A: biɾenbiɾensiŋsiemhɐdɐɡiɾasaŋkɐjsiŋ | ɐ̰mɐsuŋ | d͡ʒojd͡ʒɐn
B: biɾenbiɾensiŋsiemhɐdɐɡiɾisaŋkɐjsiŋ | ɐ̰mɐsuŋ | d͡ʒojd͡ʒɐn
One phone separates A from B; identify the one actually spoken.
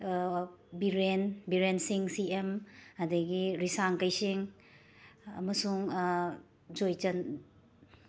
B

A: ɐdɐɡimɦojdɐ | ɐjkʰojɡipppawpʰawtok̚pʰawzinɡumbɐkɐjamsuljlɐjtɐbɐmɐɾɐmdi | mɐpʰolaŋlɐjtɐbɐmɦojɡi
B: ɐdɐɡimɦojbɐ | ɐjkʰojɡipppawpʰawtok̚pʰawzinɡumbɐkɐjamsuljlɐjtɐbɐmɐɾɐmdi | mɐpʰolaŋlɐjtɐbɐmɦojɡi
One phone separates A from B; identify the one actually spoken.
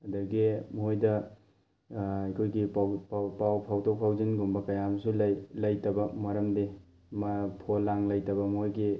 A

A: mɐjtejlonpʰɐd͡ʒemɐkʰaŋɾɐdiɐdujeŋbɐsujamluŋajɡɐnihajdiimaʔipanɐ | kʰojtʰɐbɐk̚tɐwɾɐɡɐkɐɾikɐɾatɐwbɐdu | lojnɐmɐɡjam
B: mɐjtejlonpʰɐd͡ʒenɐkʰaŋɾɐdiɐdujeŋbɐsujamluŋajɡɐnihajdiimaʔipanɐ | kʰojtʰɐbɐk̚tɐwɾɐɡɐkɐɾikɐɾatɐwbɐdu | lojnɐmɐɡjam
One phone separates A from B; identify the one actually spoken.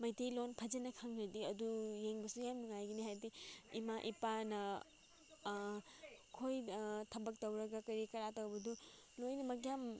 B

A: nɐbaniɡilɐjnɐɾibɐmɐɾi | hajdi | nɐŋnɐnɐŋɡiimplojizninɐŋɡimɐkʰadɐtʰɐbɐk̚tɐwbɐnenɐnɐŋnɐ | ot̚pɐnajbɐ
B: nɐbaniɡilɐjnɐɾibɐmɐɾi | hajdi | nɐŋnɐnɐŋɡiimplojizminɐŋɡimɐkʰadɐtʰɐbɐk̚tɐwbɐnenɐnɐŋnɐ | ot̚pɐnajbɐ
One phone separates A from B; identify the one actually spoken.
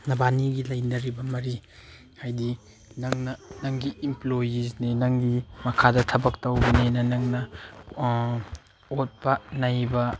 A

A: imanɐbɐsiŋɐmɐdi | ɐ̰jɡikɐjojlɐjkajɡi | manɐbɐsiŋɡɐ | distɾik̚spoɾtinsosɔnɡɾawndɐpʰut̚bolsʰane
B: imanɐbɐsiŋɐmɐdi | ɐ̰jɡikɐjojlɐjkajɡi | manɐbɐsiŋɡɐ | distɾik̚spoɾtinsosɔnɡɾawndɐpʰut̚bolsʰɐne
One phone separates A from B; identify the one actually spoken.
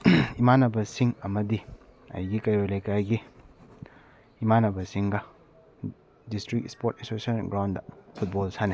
A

